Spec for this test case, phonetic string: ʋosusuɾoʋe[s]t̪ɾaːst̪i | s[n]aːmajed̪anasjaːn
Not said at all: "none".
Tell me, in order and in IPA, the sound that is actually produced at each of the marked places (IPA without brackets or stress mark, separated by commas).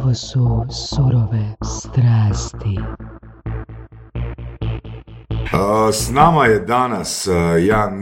s, n